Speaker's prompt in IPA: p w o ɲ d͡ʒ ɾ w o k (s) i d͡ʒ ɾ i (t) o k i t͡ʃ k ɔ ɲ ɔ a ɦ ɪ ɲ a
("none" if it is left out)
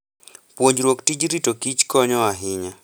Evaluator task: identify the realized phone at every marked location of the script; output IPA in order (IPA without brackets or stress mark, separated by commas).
t, t